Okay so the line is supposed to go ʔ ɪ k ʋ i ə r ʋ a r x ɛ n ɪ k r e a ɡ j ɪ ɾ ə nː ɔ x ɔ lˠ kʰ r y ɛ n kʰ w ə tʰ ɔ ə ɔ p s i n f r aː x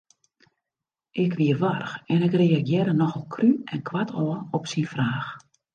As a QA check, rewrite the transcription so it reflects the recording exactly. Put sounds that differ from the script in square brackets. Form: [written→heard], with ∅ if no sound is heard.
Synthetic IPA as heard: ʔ ɪ k ʋ i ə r ʋ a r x ɛ n ɪ k r e a ɡ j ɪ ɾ ə [nː→n] ɔ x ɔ lˠ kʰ r y ɛ n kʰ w [ə→a] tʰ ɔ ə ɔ p s i n f r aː x

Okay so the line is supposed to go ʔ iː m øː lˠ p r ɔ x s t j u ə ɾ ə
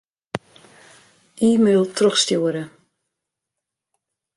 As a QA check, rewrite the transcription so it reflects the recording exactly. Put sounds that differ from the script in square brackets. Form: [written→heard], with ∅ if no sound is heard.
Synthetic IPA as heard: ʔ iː m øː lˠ [p→t] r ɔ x s t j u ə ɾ ə

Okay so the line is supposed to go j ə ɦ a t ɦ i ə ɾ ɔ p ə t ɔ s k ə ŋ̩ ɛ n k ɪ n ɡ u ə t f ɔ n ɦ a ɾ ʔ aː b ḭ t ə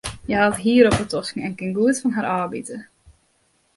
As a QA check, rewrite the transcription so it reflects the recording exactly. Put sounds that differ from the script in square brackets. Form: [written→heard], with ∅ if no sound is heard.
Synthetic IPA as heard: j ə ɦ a t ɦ i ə ɾ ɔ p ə t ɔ s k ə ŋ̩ ɛ n k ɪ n ɡ u ə t f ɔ n ɦ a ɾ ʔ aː b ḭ t ə

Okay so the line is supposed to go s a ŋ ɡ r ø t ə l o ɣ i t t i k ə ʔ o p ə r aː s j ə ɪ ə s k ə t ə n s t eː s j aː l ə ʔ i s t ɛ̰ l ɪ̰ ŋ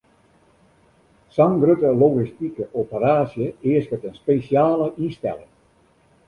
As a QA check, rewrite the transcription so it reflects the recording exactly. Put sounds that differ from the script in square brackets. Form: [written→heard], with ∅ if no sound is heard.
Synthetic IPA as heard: s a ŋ ɡ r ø t ə l o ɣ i [t→s] t i k ə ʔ o p ə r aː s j ə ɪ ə s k ə t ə n s [t→p] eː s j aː l ə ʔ i s t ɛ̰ l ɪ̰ ŋ

